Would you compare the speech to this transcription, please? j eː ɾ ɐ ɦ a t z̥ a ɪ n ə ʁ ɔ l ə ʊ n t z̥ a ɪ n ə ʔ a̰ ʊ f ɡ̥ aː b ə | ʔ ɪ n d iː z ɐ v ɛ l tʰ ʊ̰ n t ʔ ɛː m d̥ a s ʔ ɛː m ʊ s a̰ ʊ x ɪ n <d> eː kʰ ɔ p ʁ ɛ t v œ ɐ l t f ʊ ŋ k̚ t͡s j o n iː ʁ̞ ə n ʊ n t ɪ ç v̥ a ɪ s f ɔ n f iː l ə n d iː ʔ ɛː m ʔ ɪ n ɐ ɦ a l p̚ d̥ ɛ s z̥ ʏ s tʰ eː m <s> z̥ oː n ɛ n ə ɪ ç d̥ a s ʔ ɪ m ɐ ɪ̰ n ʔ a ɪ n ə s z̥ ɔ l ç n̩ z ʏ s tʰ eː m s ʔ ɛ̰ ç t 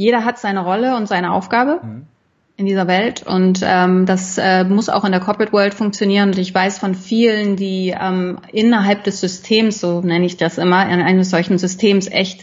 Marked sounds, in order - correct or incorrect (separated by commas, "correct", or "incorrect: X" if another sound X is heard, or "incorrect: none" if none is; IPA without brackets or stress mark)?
correct, correct